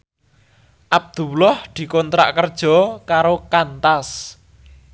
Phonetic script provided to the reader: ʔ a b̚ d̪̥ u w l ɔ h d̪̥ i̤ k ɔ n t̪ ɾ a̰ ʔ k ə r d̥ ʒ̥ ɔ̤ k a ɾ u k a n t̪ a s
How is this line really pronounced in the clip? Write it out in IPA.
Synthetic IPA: ʔ a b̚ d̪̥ u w l ɔ h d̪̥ i̤ k ɔ n t̪ ɾ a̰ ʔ k ə r d̥ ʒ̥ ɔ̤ k a ɾ o k a n t̪ a s